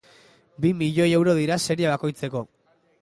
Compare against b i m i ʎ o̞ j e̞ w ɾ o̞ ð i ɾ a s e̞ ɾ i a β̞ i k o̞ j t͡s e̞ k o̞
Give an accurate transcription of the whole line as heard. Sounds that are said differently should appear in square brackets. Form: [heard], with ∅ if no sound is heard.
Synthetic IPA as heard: b i m i ʎ o̞ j e̞ w ɾ o̞ ð i ɾ a s e̞ ɾ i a β̞ [a] k o̞ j t͡s e̞ k o̞